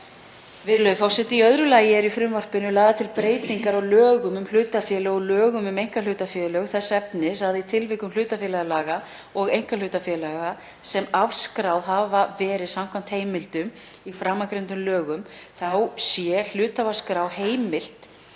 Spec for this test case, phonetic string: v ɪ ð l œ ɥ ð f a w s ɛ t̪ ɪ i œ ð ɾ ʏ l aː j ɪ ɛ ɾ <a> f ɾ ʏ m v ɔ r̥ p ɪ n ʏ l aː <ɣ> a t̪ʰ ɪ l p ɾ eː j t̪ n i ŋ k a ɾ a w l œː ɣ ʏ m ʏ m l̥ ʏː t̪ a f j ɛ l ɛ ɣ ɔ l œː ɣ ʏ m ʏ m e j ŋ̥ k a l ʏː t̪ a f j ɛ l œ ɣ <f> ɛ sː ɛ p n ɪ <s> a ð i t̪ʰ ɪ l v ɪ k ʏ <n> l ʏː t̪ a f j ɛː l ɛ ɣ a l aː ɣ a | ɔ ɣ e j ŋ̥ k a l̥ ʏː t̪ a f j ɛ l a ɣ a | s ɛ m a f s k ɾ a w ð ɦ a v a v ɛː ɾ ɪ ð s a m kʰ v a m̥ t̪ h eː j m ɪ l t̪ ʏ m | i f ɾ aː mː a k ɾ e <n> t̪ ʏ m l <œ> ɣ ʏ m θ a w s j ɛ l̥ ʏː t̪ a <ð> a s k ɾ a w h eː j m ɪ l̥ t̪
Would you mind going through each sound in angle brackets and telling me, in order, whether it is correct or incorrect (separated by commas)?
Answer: incorrect, incorrect, incorrect, correct, incorrect, correct, incorrect, incorrect